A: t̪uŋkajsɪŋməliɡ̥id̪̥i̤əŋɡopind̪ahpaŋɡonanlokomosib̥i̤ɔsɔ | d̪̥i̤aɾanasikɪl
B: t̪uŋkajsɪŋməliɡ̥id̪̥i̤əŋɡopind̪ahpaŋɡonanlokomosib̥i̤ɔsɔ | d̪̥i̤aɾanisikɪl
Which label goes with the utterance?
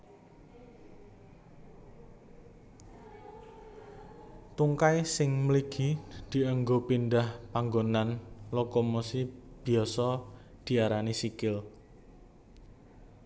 B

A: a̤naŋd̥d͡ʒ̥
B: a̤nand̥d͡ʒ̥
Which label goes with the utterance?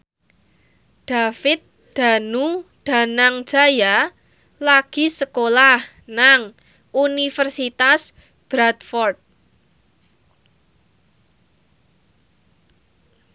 A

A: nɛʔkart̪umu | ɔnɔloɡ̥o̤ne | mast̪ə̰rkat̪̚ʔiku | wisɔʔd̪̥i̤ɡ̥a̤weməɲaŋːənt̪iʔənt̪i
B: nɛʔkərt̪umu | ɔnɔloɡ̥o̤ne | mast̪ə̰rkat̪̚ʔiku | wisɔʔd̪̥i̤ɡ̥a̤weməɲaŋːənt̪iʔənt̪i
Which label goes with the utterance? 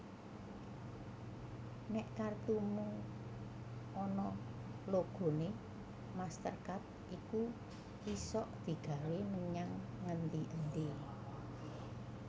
A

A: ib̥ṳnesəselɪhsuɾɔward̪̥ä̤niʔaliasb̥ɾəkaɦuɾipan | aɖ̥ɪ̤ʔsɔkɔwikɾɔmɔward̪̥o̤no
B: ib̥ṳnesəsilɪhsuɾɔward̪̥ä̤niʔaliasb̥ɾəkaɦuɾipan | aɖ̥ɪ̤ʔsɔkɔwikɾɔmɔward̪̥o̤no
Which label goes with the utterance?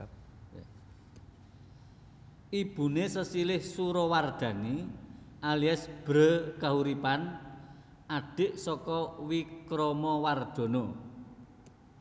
B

